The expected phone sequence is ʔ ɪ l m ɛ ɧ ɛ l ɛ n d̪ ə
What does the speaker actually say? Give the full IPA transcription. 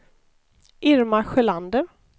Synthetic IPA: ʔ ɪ ɾ m a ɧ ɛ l a n d̪ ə

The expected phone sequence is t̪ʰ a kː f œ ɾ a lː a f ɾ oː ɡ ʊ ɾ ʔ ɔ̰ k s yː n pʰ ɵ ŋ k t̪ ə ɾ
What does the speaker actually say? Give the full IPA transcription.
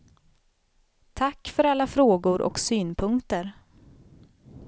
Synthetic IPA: t̪ʰ a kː f œ ɾ a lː a f ɾ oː ɡ ʊ ɾ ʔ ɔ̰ k s yː n pʰ ɵ ŋ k t̪ ə ɾ

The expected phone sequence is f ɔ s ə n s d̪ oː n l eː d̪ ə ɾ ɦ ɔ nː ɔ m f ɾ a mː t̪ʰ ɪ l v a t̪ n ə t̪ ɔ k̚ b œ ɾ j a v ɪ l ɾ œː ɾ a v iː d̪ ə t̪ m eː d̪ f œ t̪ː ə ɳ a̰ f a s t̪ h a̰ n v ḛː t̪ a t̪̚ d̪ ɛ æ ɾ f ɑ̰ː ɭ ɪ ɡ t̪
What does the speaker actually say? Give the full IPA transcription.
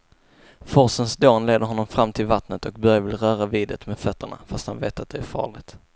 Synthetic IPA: f ɔ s ə n s d̪ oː n l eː d̪ ə ɾ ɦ ɔ nː ɔ m f ɾ a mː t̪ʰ ɪ l v a t̪ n ə t̪ ɔ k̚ b œ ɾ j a v ɪ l ɾ œː ɾ a v iː d̪ ə t̪ m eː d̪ f œ t̪ː ə ɳ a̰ f a s t̪ h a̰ n v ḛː t̪ a t̪̚ d̪ ɛ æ ɾ f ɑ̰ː ɭ ɪ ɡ t̪

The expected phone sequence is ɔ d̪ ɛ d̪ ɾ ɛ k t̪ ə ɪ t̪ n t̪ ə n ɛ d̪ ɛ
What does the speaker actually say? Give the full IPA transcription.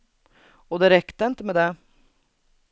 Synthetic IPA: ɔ d̪ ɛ ɾ ɛ k t̪ ə ɪ n t̪ ə m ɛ d̪ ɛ

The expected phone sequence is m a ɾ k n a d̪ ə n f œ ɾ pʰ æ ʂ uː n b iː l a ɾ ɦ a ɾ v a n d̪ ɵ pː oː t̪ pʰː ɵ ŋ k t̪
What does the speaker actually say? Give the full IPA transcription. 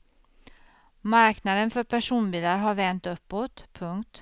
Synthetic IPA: m a ɾ k n a d̪ ə n f œ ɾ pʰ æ ʂ uː n b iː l a ɾ ɦ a ɾ v ɛ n t̪ ɵ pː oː t̪ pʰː ɵ ŋ k t̪

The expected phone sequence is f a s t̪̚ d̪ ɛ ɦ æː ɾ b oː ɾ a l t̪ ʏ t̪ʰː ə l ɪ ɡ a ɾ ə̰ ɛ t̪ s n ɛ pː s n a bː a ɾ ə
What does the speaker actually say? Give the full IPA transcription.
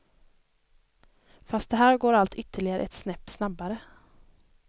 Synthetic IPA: f a s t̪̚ d̪ ɛ ɦ æː ɾ ɡ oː ɾ a l t̪ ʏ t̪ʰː ə ɭ ɪ ɡ a ɾ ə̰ ɛ t̪ s n ɛ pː s n a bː a ɾ ə

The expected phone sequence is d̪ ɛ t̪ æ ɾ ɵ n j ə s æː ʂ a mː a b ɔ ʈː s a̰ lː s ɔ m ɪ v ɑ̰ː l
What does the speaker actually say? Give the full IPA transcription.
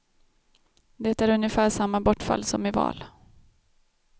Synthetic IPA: d̪ ɛ t̪ æ ɾ ɵ n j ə f æː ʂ a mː a b ɔ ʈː f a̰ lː s ɔ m ɪ v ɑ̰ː l

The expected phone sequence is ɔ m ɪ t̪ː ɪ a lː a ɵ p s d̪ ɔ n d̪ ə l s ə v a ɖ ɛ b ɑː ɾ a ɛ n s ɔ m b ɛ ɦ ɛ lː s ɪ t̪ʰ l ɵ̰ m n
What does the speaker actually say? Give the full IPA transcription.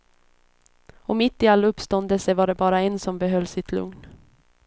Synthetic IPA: ɔ m ɪ t̪ː ɪ a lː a ɵ p s t̪ ɔ n d̪ ə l s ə v a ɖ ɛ b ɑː ɾ a ɛ n s ɔ m b ɛ ɦ œ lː s ɪ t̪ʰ l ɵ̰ ŋ n

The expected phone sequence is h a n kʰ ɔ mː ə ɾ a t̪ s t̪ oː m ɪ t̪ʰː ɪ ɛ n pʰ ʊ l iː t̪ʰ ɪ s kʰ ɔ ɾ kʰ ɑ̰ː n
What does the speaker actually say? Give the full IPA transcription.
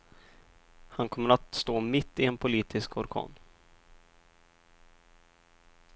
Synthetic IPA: h a n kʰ ɔ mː ə ɾ a t̪ s t̪ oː m ɪ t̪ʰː ɪ ɛ n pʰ ʊ l iː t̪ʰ ɪ s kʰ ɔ ɾ kʰ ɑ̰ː n

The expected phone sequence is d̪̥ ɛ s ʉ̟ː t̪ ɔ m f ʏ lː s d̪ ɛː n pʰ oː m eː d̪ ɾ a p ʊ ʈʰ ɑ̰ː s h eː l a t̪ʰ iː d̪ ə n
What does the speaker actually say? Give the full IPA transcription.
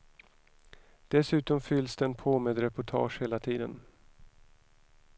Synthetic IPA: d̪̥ ɛ s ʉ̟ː t̪ ɔ m f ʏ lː s d̪ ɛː n pʰ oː m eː d̪ ɾ ɛ p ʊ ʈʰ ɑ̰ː ʂ h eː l a t̪ʰ iː d̪ ə n

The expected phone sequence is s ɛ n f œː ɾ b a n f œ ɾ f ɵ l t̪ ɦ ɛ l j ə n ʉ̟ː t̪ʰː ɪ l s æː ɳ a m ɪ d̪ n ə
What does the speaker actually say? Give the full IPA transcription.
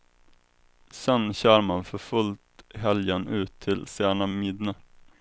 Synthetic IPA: s ɛ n ɕ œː ɾ m a n f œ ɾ f ɵ l t̪ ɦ ɛ l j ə n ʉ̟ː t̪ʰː ɪ l s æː ɳ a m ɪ d̪ n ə

